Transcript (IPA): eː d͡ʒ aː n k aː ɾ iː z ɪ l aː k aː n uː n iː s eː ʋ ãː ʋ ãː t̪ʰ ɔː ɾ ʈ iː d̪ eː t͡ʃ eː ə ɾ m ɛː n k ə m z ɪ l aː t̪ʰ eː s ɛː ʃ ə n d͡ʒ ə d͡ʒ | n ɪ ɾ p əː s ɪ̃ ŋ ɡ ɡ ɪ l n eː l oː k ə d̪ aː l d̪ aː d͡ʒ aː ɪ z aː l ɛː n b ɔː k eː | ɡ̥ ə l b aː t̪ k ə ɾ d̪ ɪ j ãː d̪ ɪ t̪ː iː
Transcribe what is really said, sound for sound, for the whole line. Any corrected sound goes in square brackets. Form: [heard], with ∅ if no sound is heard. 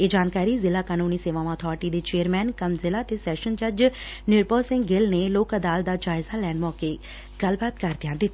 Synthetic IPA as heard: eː d͡ʒ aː n k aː ɾ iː z ɪ l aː k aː n uː n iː s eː ʋ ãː ʋ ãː t̪ʰ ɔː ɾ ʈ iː d̪ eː t͡ʃ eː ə ɾ m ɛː n k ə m z ɪ l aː [t̪] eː s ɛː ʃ ə n d͡ʒ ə d͡ʒ | n ɪ ɾ p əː s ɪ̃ ŋ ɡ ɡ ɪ l n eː l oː k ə d̪ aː l d̪ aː d͡ʒ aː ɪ z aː l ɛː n [m] ɔː k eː | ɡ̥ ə l b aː t̪ k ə ɾ d̪ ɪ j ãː d̪ ɪ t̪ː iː